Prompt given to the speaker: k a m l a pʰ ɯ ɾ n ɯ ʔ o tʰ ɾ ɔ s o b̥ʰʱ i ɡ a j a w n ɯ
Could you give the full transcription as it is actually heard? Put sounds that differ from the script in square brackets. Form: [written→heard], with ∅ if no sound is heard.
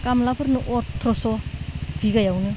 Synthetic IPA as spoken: k a m l a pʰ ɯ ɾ n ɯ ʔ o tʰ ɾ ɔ s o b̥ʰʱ i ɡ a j a w n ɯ